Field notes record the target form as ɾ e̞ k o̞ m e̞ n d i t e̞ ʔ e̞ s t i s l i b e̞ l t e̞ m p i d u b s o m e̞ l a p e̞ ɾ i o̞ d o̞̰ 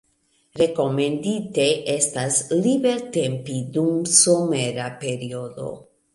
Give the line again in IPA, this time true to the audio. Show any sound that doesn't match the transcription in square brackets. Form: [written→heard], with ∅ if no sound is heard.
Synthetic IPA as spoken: ɾ e̞ k o̞ m e̞ n d i t e̞ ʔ e̞ s t [i→a] s l i b e̞ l t e̞ m p i d u [b→m] s o m e̞ [l→ɾ] a p e̞ ɾ i o̞ d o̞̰

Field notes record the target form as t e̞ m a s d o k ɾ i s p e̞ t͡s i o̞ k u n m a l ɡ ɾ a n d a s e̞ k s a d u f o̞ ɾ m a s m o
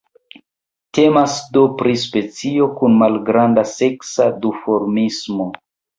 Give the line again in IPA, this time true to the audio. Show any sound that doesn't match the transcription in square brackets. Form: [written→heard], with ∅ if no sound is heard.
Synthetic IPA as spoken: t e̞ m a s d o [k→p] ɾ i s p e̞ t͡s i o̞ k u n m a l ɡ ɾ a n d a s e̞ k s a d u f o̞ ɾ m [a→i] s m o

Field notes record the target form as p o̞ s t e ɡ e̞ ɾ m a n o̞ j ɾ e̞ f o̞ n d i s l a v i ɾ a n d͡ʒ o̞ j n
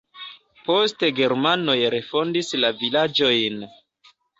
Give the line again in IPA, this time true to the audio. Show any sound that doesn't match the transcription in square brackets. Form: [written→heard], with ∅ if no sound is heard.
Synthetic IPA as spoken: p o̞ s t e ɡ e̞ ɾ m a n o̞ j ɾ e̞ f o̞ n d i s l a v i [ɾ→l] a [n→∅] d͡ʒ o̞ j n

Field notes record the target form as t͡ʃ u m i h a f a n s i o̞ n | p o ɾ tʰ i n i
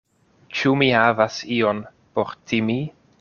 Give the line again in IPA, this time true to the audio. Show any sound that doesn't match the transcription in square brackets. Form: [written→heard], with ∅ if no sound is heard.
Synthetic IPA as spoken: t͡ʃ u m i h a [f→v] a [n→∅] s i o̞ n | p o ɾ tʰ i [n→m] i

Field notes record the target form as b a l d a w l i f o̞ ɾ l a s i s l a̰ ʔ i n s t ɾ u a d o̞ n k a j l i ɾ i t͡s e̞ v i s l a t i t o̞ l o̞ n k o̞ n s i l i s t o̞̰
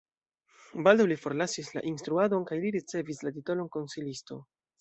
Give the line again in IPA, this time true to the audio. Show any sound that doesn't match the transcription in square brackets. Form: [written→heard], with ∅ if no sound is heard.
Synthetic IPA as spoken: b a l d a w l i f o̞ ɾ l a s i s l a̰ ʔ i n s t ɾ u a d o̞ n k a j l i ɾ i t͡s e̞ v i s l a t i t o̞ l o̞ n k o̞ n s i l i s t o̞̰

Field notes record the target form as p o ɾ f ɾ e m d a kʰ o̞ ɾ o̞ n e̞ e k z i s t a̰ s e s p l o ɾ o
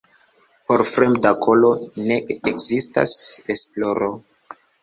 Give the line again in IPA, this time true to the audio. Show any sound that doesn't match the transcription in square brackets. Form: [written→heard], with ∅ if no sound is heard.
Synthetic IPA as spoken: p o ɾ f ɾ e m d a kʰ o̞ [ɾ→l] o̞ n e̞ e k z i s t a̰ s e s p l o ɾ o

